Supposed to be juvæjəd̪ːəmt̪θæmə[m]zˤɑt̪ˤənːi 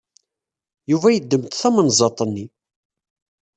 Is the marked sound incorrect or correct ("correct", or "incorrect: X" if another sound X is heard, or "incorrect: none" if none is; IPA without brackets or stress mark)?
incorrect: n